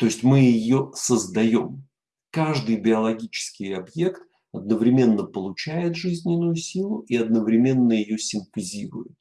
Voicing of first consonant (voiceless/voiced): voiceless